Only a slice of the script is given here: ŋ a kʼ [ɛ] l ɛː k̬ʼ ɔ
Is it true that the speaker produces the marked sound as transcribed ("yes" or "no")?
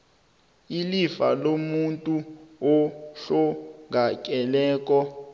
yes